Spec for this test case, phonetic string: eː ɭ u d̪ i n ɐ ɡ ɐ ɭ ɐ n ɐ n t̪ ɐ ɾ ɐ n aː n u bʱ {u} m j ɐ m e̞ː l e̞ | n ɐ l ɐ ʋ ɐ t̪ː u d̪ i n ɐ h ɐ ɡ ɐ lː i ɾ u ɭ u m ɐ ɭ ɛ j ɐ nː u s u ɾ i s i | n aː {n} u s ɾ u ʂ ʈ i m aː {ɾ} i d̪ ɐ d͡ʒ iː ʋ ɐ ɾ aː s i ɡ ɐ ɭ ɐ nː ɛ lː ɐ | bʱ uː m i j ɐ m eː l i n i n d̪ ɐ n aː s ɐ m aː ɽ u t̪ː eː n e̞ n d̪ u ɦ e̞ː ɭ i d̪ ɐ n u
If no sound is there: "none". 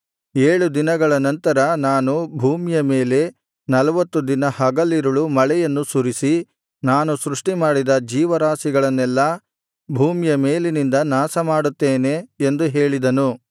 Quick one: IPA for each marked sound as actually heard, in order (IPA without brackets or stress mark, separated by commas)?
uː, n, ɽ